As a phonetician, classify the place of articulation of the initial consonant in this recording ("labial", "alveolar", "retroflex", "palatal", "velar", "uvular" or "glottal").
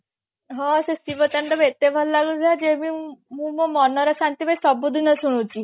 glottal